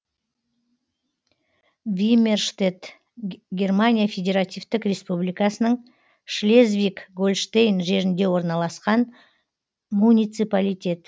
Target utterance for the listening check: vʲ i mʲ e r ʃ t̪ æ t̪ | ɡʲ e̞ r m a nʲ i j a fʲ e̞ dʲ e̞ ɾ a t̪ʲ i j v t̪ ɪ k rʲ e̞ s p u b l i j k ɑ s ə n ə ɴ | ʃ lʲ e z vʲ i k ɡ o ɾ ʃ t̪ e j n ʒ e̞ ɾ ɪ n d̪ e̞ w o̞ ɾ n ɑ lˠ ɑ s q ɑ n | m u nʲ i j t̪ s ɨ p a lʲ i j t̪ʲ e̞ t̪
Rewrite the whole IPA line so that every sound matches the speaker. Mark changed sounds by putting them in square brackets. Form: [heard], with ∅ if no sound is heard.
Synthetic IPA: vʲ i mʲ e r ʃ t̪ [e] t̪ | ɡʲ e̞ r m a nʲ i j a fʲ e̞ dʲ e̞ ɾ a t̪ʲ i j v t̪ ɪ k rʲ e̞ s p u b l i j k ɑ s ə n ə ɴ | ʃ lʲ e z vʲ i k ɡ o [l] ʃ t̪ e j n ʒ e̞ ɾ ɪ n d̪ e̞ w o̞ ɾ n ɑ lˠ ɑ s q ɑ n | m u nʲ i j t̪ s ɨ p a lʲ i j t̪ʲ e̞ t̪